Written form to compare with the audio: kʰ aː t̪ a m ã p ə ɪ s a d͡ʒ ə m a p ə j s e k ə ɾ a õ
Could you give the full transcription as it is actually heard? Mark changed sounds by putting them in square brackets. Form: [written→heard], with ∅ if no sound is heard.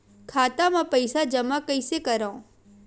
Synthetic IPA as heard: kʰ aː t̪ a m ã p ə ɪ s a d͡ʒ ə m a [p→k] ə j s e k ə ɾ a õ

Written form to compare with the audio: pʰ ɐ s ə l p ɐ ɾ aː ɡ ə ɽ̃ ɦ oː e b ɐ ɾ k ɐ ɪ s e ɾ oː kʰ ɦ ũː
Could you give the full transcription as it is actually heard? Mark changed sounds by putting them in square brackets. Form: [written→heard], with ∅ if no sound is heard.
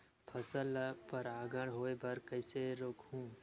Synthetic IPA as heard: pʰ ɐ s ə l p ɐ ɾ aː ɡ ə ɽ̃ ɦ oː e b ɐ ɾ k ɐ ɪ s e ɾ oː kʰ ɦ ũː

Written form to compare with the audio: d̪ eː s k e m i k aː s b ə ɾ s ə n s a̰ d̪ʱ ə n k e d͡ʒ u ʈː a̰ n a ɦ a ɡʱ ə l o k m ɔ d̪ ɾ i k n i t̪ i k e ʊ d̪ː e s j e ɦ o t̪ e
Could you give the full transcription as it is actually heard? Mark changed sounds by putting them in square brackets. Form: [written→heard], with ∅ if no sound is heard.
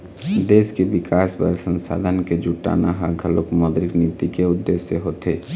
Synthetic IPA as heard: d̪ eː s k e [m→b] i k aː s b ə ɾ s ə n s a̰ d̪ʱ ə n k e d͡ʒ u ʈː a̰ n a ɦ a ɡʱ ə l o k m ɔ d̪ ɾ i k n i t̪ i k e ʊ d̪ː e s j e ɦ o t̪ e

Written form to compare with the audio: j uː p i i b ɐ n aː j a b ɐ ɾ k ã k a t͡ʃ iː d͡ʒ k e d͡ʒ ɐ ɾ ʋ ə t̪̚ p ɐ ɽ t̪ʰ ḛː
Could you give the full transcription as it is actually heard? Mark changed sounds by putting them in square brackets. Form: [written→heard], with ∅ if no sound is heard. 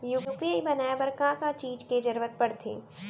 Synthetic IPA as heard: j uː p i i b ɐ n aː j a b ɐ ɾ k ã k a t͡ʃ iː d͡ʒ k e d͡ʒ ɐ ɾ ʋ ə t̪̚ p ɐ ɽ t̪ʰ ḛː

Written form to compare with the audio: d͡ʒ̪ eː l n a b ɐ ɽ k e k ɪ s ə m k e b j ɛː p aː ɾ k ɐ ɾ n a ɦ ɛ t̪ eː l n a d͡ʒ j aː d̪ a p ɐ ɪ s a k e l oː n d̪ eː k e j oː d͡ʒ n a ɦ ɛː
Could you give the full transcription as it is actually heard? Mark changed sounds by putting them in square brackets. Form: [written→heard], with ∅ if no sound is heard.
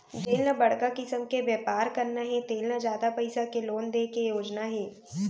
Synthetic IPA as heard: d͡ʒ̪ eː l n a b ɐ ɽ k [e→a] k ɪ s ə m k e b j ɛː p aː ɾ k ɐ ɾ n a ɦ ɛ t̪ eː l n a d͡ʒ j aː d̪ a p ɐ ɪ s a k e l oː n d̪ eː k e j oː d͡ʒ n a ɦ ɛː

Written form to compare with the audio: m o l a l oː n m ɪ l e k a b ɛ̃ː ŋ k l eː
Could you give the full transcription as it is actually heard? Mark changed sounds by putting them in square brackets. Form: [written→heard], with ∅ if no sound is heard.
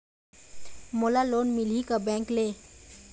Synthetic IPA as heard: m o l a l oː n m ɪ l [e→i] k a b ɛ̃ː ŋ k l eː

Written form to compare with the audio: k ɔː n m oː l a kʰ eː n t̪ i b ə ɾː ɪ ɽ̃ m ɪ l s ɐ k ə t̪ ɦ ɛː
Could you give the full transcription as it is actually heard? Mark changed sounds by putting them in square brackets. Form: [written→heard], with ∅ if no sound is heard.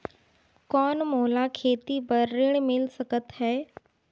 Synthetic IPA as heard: k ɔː n m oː l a kʰ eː [n→∅] t̪ i b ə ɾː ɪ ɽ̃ m ɪ l s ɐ k ə t̪ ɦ ɛː

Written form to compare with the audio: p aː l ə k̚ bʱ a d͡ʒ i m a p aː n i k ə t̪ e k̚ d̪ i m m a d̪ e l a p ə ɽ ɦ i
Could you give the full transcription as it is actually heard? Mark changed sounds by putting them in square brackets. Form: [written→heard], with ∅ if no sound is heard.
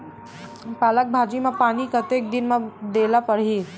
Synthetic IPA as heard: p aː l ə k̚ bʱ a d͡ʒ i m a p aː n i k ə t̪ e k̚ d̪ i [m→n] m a d̪ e l a p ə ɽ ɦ i

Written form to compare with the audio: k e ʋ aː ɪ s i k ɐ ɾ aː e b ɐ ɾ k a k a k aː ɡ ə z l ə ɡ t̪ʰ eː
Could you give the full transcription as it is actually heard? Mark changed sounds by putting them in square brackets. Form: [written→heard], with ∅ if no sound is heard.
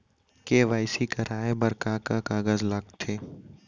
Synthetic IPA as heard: k e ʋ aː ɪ s i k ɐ ɾ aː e b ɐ ɾ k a k a k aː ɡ ə z l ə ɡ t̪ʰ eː

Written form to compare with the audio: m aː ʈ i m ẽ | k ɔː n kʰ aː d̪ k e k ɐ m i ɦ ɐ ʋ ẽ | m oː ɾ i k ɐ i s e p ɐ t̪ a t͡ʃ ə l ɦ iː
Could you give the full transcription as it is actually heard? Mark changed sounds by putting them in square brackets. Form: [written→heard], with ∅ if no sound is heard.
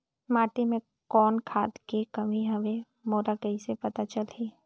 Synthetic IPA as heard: m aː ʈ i m ẽ | k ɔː n kʰ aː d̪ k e k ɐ m i ɦ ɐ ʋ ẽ | m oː ɾ [i→a] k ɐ i s e p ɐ t̪ a t͡ʃ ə l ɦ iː

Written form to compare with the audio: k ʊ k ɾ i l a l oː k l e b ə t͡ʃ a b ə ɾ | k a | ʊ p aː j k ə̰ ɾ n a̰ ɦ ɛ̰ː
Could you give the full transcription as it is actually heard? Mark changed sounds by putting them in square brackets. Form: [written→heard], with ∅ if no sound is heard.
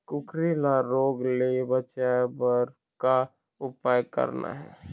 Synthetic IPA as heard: k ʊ k ɾ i l a [l→ɾ] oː [k→ɡ] l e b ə t͡ʃ a b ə ɾ | k a | ʊ p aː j k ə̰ ɾ n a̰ ɦ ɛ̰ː

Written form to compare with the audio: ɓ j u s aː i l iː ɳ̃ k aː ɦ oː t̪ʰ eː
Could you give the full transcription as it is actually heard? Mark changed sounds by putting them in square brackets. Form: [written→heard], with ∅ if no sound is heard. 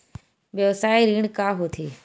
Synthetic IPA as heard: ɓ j [u→o] s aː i [l→ɾ] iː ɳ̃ k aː ɦ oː t̪ʰ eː

